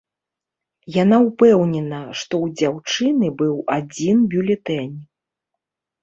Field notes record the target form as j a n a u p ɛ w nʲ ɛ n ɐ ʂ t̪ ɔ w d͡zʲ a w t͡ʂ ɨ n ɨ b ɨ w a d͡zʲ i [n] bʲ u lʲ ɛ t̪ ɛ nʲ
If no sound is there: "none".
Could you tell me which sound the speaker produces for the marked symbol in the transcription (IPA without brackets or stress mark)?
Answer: n